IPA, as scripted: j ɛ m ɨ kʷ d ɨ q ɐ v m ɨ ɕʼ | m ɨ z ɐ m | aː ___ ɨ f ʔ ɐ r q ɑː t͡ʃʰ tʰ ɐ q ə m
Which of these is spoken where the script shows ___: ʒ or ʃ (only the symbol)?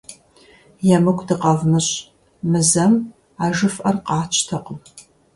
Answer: ʒ